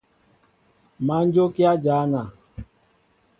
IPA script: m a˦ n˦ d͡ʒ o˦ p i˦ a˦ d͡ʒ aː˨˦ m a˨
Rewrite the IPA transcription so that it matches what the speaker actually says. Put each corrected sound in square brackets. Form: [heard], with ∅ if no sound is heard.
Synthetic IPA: m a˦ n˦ d͡ʒ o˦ [k] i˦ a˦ d͡ʒ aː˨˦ [n] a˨